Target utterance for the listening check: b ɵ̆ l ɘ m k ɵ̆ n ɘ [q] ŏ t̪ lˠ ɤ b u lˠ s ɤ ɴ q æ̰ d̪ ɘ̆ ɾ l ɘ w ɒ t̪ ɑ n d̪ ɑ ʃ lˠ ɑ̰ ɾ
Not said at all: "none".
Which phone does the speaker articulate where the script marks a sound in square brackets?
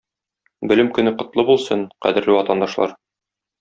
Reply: q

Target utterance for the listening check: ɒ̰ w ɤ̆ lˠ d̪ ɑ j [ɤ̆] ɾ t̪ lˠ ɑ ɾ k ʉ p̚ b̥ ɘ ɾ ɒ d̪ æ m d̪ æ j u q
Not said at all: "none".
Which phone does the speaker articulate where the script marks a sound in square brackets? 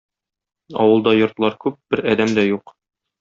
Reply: ŏ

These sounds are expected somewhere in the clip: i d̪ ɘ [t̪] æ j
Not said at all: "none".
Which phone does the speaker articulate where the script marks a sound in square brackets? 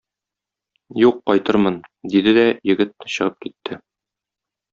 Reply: d̪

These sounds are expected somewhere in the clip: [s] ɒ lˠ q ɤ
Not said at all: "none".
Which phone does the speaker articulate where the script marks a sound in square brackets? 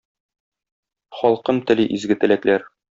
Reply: χ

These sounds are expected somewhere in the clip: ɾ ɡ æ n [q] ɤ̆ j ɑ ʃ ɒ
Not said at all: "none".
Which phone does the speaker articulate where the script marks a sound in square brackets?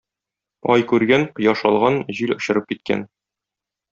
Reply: q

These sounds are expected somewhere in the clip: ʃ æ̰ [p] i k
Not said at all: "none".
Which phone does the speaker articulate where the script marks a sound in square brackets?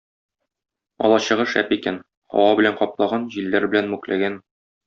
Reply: p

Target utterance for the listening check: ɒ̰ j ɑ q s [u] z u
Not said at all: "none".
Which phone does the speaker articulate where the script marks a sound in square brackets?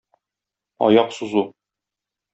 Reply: u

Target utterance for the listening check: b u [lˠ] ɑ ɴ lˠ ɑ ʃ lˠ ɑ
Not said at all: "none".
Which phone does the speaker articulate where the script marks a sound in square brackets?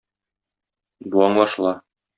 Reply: none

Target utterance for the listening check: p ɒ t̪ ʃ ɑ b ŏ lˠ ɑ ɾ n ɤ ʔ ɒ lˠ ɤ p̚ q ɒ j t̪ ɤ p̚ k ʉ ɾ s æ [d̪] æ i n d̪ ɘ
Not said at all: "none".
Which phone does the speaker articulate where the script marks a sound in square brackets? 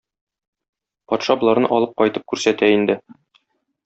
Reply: t̪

